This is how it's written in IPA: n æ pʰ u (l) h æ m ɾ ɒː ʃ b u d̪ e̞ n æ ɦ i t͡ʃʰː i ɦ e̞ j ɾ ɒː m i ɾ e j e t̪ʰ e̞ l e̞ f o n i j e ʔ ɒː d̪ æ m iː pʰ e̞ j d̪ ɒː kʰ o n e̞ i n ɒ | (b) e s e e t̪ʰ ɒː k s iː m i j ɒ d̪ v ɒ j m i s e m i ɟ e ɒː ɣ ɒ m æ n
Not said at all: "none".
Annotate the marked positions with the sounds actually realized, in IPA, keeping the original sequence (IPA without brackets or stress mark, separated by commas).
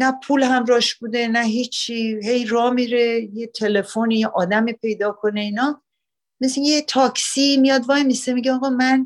l, m